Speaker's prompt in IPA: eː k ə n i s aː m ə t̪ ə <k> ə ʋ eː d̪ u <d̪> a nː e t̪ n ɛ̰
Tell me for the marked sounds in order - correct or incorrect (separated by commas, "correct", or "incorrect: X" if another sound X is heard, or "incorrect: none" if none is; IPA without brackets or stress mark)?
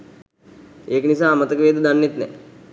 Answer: correct, correct